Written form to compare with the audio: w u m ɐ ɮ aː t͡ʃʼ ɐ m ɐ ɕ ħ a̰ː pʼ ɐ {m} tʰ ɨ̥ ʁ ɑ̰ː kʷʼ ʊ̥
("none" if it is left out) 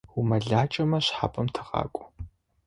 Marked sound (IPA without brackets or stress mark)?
m